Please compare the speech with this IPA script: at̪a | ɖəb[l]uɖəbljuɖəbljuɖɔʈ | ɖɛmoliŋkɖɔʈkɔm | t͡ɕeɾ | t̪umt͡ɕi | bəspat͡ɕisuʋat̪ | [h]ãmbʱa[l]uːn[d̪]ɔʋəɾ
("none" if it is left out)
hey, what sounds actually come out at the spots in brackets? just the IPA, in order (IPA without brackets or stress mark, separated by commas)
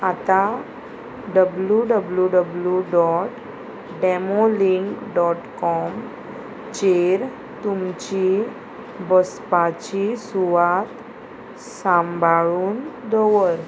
l, s, ɭ, d̪